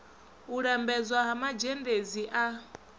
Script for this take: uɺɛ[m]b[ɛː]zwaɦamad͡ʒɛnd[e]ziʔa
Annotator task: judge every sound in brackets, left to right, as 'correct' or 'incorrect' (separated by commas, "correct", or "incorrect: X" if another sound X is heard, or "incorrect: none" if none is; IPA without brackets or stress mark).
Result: correct, incorrect: ɛ, correct